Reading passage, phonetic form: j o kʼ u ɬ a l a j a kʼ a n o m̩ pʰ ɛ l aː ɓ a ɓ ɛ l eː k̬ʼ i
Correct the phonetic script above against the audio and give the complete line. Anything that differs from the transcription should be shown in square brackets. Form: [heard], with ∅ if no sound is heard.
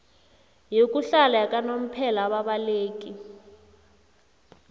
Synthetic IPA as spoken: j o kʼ u ɬ a l a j a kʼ a n o m̩ pʰ ɛ l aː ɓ a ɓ [a] l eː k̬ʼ i